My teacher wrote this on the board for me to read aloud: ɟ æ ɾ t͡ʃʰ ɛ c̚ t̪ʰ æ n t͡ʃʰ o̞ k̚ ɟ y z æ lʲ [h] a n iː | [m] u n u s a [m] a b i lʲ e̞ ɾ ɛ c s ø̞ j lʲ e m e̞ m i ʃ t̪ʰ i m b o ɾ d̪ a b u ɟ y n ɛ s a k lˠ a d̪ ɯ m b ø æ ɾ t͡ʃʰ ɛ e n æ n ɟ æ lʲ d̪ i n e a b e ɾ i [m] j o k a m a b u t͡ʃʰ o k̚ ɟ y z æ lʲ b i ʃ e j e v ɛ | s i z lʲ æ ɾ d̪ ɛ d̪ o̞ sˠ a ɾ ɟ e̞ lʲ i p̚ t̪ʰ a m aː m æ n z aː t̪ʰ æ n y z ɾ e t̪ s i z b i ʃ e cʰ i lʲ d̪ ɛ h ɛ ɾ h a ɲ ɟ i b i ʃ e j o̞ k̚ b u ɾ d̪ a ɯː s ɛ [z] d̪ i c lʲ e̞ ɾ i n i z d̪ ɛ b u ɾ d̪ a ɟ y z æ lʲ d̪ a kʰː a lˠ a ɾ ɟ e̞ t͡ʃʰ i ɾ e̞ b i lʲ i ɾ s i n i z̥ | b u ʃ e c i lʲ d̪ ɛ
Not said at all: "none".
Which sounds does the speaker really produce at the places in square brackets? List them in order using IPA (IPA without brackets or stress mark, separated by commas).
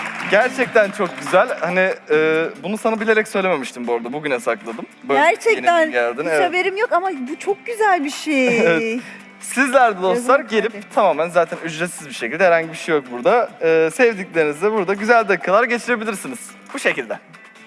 h, b, n, m, v